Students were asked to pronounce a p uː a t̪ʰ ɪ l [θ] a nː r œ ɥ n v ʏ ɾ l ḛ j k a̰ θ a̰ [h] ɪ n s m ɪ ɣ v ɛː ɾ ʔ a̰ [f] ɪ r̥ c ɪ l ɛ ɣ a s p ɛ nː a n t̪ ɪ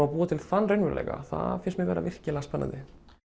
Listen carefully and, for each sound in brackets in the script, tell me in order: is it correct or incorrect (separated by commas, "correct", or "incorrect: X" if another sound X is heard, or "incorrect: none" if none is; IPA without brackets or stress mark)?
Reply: correct, incorrect: f, incorrect: v